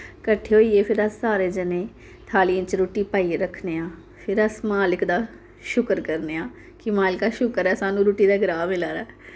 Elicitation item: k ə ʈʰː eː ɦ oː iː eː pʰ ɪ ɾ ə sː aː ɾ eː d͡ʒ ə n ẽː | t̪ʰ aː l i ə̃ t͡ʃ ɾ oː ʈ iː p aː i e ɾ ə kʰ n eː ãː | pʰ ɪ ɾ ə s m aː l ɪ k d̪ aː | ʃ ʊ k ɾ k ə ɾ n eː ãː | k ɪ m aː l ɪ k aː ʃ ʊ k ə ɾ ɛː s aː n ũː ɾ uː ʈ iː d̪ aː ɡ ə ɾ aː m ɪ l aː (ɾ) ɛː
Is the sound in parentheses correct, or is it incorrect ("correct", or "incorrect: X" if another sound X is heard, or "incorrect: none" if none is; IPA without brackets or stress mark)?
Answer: correct